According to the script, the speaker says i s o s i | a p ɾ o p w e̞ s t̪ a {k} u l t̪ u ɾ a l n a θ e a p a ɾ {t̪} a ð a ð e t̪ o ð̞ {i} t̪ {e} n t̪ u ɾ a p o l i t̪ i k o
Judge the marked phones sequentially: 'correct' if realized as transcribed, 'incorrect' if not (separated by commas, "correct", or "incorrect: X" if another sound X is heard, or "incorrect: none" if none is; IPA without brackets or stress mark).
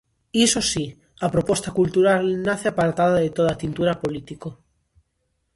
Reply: correct, correct, incorrect: a, incorrect: i